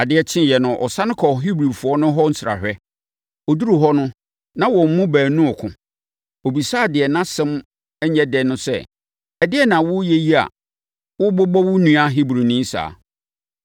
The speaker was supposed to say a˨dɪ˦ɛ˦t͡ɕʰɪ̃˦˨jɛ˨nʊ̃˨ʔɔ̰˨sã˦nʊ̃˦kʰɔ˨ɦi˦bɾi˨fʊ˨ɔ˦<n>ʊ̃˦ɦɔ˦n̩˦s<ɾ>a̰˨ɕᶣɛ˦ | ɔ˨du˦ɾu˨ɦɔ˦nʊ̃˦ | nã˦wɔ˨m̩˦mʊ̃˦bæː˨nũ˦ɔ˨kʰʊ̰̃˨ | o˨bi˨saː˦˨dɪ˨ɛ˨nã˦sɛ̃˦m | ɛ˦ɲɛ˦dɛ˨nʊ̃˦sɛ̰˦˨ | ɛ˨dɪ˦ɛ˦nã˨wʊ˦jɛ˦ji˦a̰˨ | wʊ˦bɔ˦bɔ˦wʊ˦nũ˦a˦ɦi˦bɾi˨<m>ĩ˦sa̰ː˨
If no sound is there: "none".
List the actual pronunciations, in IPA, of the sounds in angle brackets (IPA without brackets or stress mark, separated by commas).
n, ɾ, n